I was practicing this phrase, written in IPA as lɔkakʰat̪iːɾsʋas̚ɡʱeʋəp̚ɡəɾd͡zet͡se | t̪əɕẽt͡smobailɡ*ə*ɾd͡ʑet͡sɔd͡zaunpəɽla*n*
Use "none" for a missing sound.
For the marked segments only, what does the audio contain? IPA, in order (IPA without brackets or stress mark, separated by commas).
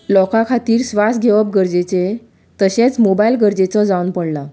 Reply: ə, none